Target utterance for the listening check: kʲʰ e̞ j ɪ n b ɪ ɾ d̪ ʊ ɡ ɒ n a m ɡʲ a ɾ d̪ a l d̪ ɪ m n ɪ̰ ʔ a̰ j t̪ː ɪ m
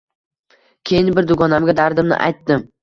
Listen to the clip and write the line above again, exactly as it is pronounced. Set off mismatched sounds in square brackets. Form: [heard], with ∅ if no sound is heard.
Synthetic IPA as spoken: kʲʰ e̞ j ɪ n b ɪ ɾ d̪ ʊ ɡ ɒ n a m ɡʲ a [∅] d̪ a [ɾ] d̪ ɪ m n ɪ̰ ʔ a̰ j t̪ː ɪ m